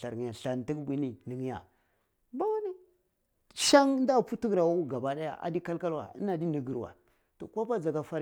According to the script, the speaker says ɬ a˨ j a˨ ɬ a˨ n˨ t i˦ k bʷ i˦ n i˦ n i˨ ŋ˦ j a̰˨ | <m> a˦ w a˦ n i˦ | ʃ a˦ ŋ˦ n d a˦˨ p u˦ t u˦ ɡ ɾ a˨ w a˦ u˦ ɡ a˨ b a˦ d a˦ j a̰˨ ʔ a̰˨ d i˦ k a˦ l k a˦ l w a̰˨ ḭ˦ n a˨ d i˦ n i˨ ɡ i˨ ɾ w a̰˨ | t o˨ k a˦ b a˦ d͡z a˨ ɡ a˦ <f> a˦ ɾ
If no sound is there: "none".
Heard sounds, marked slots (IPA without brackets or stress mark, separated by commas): b, f